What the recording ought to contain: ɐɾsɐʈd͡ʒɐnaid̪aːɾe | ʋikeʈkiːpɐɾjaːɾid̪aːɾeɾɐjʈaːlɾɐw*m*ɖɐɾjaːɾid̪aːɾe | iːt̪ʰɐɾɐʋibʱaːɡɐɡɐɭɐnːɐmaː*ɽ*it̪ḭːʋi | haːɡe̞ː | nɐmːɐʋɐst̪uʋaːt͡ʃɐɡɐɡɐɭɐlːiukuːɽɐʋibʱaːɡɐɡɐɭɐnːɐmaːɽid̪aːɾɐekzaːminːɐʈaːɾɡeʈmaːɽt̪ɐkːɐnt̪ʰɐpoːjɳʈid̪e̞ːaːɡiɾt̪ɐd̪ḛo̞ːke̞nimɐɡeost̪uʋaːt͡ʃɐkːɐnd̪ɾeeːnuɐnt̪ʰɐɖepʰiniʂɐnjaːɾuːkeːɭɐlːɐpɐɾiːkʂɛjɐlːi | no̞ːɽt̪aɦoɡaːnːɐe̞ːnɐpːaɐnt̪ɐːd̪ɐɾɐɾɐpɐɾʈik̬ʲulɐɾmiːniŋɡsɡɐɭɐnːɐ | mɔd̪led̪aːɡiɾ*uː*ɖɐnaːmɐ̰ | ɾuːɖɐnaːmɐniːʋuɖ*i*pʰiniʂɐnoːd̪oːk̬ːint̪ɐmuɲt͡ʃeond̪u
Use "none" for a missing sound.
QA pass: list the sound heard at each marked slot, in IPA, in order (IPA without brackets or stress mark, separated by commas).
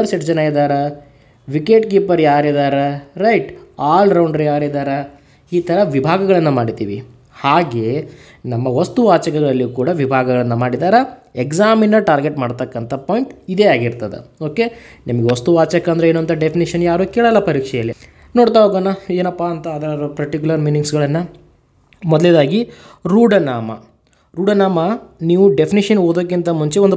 ɳ, ɽ, uː, e